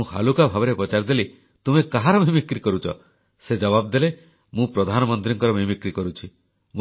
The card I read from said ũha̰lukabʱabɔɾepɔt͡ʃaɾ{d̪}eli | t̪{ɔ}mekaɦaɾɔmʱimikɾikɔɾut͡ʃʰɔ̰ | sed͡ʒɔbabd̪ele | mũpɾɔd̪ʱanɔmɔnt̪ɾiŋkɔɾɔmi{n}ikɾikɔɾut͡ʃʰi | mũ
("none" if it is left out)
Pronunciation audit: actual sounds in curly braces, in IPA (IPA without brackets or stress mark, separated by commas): d̪, u, m